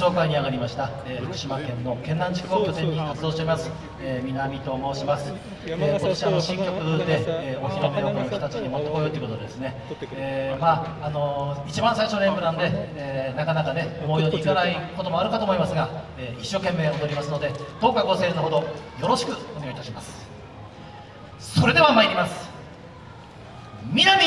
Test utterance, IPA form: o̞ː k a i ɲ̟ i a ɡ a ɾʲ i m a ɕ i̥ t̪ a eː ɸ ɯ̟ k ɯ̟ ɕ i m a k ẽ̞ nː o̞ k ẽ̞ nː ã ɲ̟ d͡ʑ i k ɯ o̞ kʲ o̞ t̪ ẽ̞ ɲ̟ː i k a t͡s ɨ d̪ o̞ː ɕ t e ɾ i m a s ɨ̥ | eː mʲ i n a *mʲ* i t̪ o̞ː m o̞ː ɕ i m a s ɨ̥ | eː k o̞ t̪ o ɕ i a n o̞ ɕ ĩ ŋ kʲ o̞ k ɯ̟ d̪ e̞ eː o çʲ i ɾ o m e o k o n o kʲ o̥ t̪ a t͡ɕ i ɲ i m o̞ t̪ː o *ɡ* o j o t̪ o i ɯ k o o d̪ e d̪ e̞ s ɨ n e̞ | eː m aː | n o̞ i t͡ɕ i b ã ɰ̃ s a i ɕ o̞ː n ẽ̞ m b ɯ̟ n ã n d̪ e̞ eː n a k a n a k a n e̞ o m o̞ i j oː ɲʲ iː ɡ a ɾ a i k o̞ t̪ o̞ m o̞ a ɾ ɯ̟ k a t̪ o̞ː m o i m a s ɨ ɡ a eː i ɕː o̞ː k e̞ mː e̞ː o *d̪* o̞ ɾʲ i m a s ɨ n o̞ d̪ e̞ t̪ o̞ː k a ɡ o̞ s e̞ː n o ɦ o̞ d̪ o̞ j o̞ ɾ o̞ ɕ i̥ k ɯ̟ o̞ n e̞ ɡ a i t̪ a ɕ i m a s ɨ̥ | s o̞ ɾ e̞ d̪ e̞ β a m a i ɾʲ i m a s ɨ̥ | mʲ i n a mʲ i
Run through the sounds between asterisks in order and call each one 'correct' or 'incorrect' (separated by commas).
correct, incorrect, correct